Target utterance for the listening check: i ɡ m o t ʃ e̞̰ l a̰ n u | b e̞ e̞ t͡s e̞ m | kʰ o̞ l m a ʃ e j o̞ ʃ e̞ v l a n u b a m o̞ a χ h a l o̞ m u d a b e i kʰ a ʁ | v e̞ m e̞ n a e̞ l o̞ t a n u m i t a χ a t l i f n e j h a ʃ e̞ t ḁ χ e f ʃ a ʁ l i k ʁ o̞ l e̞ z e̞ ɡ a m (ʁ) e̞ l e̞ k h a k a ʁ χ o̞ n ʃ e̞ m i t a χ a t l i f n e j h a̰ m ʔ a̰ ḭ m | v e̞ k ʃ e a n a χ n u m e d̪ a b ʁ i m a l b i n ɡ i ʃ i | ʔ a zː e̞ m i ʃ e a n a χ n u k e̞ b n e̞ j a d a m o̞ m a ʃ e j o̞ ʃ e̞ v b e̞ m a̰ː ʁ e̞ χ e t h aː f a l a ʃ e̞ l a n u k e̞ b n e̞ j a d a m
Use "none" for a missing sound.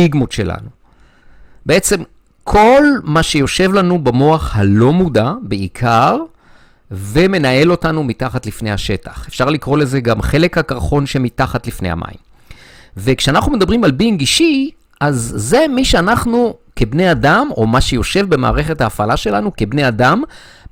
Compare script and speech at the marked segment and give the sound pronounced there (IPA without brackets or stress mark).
χ